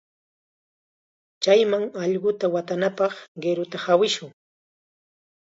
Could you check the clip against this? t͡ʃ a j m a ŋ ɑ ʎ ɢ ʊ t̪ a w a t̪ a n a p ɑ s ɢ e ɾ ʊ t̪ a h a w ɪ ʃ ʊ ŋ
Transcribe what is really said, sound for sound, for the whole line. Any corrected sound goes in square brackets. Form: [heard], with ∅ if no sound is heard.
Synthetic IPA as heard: t͡ʃ a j m a ŋ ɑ ʎ ɢ ʊ t̪ a w a t̪ a n a p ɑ [χ] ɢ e ɾ ʊ t̪ a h a w ɪ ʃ ʊ ŋ